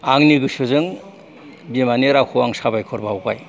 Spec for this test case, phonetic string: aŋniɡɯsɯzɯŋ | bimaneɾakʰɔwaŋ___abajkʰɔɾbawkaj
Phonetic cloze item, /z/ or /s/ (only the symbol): s